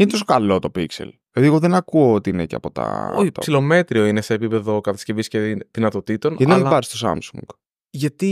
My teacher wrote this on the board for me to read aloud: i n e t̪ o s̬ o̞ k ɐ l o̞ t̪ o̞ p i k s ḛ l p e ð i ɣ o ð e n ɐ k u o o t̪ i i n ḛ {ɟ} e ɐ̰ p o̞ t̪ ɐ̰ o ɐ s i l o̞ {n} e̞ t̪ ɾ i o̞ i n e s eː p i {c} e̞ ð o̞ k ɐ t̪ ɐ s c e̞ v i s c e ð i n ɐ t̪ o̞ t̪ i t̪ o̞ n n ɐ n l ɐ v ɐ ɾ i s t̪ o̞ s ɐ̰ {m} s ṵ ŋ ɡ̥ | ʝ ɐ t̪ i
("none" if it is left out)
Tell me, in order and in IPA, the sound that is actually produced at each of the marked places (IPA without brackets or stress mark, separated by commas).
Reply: c, m, p, m